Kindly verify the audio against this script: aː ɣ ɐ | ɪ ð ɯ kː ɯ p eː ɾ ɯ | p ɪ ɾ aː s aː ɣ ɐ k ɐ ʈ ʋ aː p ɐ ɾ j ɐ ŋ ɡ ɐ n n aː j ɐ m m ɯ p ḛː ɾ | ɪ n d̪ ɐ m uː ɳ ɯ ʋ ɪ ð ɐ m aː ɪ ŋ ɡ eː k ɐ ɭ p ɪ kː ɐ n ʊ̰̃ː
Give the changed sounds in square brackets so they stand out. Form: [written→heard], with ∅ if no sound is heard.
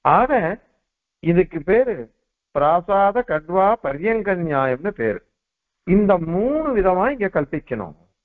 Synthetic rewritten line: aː ɣ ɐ | ɪ ð ɯ kː ɯ p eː ɾ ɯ | p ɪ ɾ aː s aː [ɣ→ð] ɐ k ɐ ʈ ʋ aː p ɐ ɾ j ɐ ŋ ɡ ɐ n [n→ɲ] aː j ɐ m [m→n] ɯ p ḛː ɾ | ɪ n d̪ ɐ m uː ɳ ɯ ʋ ɪ ð ɐ m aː ɪ ŋ ɡ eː k ɐ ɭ p ɪ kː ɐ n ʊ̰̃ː